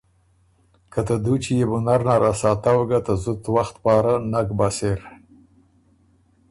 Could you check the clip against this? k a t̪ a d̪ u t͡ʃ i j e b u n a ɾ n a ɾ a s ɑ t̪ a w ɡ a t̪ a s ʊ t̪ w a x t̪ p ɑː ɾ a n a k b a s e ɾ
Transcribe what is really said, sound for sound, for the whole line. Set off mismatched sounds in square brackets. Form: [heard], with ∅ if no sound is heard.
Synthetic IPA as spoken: k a t̪ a d̪ u t͡ʃ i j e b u n a ɾ n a ɾ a s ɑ t̪ a w ɡ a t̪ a [z] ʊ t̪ w a x t̪ p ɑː ɾ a n a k b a s e ɾ